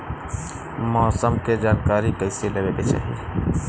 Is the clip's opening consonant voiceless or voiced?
voiced